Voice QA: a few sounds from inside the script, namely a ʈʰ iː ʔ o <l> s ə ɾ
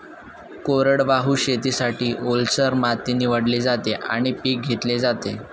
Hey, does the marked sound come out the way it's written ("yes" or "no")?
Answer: yes